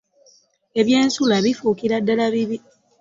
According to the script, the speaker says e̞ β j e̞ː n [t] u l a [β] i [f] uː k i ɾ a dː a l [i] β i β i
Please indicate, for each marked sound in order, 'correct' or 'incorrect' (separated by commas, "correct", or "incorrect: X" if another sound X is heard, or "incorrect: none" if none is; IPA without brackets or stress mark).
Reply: incorrect: s, correct, correct, incorrect: a